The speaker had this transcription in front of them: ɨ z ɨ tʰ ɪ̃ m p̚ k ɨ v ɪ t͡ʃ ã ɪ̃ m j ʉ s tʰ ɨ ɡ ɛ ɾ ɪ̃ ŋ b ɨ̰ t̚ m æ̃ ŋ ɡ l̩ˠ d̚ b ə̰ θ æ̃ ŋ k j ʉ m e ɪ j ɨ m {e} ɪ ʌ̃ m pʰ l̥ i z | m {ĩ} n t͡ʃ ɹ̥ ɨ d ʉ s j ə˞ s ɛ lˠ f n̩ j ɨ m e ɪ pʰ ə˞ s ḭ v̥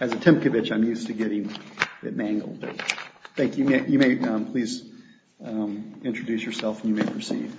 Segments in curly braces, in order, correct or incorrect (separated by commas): correct, incorrect